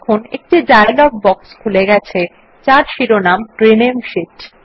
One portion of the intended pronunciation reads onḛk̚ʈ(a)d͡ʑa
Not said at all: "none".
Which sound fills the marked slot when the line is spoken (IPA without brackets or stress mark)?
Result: i